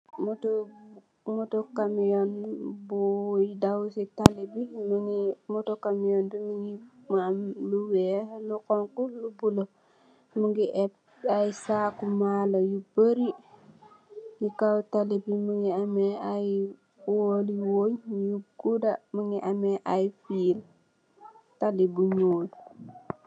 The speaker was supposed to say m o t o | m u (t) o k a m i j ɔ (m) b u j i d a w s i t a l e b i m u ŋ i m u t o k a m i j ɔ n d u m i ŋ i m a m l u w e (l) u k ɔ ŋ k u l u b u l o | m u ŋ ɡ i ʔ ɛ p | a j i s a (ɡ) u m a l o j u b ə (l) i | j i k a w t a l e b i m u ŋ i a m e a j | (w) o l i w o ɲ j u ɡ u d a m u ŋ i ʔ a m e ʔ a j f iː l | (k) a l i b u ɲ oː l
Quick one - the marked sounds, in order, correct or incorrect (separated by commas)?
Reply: correct, incorrect, correct, incorrect, incorrect, correct, incorrect